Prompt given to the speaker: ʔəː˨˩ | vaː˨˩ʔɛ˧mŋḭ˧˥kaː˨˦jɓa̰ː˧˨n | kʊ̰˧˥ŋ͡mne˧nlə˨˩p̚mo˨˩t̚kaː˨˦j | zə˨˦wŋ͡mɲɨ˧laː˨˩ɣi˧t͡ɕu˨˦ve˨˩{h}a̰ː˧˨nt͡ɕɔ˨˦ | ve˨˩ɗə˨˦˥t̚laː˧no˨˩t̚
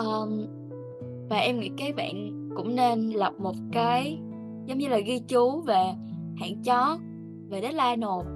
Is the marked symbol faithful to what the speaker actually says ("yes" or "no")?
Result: yes